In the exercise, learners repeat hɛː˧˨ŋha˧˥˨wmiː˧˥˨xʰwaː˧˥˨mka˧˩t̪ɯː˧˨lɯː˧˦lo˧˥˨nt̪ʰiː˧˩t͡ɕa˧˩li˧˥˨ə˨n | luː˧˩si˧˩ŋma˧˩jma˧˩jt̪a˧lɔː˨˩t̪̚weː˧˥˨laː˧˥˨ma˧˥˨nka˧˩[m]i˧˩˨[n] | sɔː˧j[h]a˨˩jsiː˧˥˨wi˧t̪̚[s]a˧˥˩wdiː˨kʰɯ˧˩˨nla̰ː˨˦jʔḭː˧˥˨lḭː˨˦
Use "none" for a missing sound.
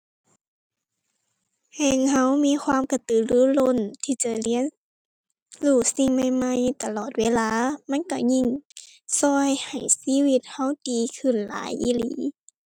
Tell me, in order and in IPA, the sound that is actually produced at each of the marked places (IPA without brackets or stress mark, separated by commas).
ɲ, ŋ, h, h